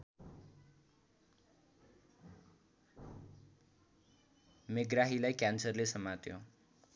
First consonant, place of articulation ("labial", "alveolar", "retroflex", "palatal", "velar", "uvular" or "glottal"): labial